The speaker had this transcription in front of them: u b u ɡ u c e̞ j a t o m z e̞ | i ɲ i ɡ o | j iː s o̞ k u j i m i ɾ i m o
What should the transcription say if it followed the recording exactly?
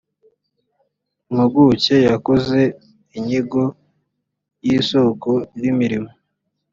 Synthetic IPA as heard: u m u ɡ u c e̞ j a k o z e̞ | i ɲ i ɡ o | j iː s o̞ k o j i m i ɾ i m o

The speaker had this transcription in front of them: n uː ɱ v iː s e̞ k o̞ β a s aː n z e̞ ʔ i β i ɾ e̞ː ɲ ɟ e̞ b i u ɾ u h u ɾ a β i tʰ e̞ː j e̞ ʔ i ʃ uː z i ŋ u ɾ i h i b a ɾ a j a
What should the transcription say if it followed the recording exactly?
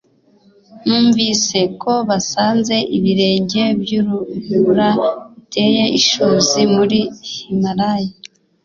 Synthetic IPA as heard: n uː ɱ v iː s e̞ k o̞ β a s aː n z e̞ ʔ i β i ɾ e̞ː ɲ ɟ e̞ b j u ɾ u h u ɾ a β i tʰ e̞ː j e̞ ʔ i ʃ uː z i m u ɾ i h i m a ɾ a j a

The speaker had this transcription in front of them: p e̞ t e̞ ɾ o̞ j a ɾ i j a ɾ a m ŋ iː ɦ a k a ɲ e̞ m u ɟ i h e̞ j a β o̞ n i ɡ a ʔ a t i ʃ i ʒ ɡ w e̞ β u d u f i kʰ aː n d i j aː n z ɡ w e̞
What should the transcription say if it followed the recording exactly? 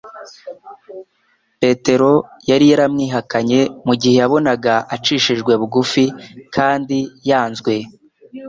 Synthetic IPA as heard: p e̞ t e̞ ɾ o̞ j a ɾ i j a ɾ a m ŋ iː ɦ a k a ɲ e̞ m u ɟ i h e̞ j a β o̞ n a ɡ a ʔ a t͡ʃ i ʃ i ʒ ɡ w e̞ β u ɡ u f i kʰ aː n d i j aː n z ɡ w e̞

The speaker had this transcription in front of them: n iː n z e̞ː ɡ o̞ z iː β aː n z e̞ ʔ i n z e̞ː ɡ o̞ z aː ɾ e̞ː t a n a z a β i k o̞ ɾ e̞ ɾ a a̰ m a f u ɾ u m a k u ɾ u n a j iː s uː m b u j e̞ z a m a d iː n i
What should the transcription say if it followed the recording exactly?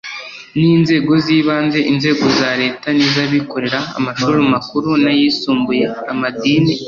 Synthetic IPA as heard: n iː n z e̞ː ɡ o̞ z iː β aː n z e̞ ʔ i n z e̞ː ɡ o̞ z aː ɾ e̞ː t a n i z a β i k o̞ ɾ e̞ ɾ a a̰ m a ʃ u ɾ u m a k u ɾ u n a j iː s uː m b u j e̞ a m a d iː n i

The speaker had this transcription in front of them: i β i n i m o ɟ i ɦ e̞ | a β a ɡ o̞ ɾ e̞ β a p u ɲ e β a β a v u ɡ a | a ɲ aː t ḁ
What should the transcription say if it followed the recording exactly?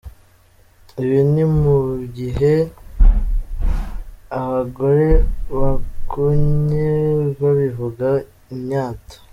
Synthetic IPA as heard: i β i n i m u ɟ i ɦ e̞ | a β a ɡ o̞ ɾ e̞ β a k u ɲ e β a β i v u ɡ a | i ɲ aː t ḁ

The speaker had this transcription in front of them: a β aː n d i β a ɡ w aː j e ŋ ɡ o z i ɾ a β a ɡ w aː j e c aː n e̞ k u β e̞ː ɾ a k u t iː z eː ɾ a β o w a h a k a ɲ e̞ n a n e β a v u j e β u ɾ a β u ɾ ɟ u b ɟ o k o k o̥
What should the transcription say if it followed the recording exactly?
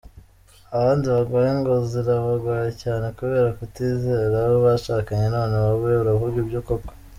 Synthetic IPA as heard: a β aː n d i β a ɡ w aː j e ŋ ɡ o z i ɾ a β a ɡ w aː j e c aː n e̞ k u β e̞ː ɾ a k u t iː z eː ɾ a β o β a ʃ a k a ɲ e̞ n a n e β a β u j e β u ɾ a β u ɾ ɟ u b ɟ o k o k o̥

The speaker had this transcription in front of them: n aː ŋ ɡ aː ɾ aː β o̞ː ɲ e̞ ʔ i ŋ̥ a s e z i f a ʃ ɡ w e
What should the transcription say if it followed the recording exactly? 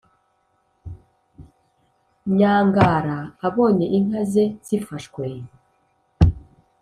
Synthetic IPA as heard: ɲ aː ŋ ɡ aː ɾ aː β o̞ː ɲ e̞ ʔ i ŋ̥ a z e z i f a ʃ k w e

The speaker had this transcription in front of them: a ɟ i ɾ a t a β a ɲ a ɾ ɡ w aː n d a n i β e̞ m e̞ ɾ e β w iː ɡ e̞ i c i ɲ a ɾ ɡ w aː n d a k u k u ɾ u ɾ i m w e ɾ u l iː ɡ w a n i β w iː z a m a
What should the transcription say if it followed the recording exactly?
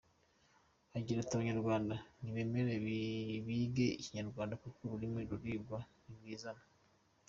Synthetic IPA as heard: a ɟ i ɾ a t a β a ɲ a ɾ ɡ w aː n d a n i β e̞ m e̞ ɾ e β β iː ɡ e̞ i c i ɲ a ɾ ɡ w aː n d a k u k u ɾ u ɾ i m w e ɾ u ɾ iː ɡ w a n i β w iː z a n a

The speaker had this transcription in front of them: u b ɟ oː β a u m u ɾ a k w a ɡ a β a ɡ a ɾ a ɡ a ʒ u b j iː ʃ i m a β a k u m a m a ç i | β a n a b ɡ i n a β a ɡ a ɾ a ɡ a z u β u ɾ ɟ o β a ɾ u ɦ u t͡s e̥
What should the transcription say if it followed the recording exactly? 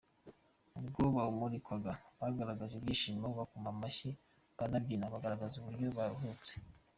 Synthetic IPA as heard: u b ɡ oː β a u m u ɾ i k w a ɡ a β a ɡ a ɾ a ɡ a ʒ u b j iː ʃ i m a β a k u m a m a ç i | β a n a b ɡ i n a β a ɡ a ɾ a ɡ a z u β u ɾ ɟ o β a ɾ u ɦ u t͡s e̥

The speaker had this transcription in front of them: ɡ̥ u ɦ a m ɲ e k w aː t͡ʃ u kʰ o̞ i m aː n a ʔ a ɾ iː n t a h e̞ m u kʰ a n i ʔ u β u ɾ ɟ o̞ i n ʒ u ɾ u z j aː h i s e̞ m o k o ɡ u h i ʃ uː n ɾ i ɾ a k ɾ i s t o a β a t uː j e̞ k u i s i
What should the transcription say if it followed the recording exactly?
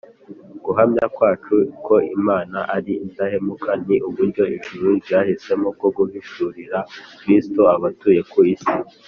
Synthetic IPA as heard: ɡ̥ u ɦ a m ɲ a k w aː t͡ʃ u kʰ o̞ i m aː n a ʔ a ɾ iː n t a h e̞ m u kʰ a n i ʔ u β u ɾ ɟ o̞ i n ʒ u ɾ u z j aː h i s e̞ m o k o ɡ u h i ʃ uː ɾ i ɾ a k ɾ i s t o a β a t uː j e̞ k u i s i

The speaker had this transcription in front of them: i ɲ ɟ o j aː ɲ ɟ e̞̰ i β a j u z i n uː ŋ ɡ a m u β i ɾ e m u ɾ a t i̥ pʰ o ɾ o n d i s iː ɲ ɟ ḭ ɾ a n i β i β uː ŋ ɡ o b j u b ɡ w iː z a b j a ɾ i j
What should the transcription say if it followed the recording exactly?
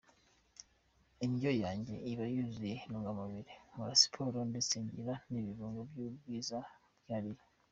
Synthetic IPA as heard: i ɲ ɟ o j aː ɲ ɟ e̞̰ i β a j u z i n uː ŋ ɡ a m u β i ɾ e m u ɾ a s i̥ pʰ o ɾ o n d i s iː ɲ ɟ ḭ ɾ a n i β i β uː ŋ ɡ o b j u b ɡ w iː z a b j a ɾ i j

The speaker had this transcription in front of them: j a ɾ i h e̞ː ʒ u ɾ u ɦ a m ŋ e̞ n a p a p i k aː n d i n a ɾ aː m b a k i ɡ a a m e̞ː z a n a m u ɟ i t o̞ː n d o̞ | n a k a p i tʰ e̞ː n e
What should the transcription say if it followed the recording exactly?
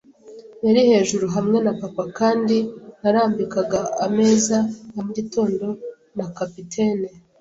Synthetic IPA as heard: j a ɾ i h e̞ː ʒ u ɾ u ɦ a m ŋ e̞ n a p a p a k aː n d i n a ɾ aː m b i k a ɡ a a m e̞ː z a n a m u ɟ i t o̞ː n d o̞ | n a k a p i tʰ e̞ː n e

